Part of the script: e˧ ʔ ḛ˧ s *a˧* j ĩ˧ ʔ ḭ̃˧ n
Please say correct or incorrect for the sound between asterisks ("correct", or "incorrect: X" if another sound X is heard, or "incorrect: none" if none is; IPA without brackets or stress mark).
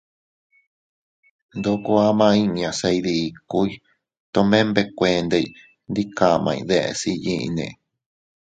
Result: incorrect: i˧